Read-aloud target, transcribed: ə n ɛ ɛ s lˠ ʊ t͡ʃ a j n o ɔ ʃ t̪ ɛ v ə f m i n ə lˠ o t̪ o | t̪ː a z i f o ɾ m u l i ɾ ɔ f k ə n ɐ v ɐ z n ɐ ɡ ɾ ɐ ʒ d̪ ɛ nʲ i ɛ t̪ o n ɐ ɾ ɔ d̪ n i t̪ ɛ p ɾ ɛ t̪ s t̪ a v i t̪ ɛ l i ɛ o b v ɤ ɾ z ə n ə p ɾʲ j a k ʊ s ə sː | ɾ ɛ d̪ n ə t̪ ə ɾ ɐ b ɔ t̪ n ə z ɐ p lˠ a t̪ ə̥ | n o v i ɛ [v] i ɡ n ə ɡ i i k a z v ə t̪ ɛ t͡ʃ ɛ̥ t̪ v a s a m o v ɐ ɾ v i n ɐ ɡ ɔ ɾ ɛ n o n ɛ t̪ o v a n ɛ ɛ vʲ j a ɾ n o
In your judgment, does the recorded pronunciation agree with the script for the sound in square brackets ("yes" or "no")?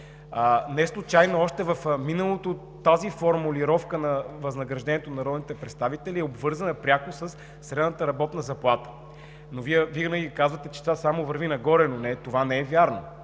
yes